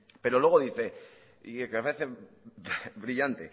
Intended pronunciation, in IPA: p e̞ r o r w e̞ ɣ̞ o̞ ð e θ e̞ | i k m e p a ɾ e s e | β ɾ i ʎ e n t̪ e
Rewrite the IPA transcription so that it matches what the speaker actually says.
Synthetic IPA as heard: p e̞ ɾ o l w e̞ ɣ̞ o̞ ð i θ e̞ | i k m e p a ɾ e θ e | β ɾ i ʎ a n t̪ e